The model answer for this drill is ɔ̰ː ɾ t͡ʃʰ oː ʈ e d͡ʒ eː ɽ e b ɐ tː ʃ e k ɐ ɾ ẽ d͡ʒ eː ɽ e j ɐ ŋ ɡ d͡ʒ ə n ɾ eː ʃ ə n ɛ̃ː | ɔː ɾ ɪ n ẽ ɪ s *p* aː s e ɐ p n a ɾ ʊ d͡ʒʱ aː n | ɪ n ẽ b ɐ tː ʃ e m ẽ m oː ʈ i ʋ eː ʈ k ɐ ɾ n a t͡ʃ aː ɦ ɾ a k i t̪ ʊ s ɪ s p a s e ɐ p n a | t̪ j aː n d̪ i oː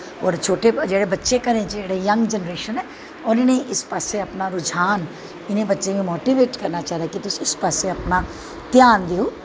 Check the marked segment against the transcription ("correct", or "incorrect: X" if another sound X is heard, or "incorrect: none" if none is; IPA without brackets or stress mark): correct